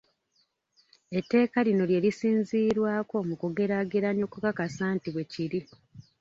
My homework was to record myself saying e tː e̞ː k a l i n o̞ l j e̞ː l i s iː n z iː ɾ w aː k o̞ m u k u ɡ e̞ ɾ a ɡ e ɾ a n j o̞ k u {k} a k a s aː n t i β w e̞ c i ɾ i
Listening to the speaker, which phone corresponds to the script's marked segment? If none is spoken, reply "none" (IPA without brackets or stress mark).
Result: k